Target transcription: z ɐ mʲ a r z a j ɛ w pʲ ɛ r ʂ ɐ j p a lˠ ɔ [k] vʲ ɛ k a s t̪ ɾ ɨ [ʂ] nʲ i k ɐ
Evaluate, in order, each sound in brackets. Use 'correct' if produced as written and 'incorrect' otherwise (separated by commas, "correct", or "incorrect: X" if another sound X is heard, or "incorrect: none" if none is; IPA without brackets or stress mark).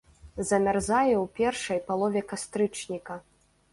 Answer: incorrect: none, incorrect: t͡ʂ